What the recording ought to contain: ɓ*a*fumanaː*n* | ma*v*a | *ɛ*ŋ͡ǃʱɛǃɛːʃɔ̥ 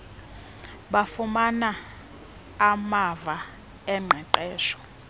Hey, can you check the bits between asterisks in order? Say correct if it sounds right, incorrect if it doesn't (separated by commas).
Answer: correct, incorrect, correct, correct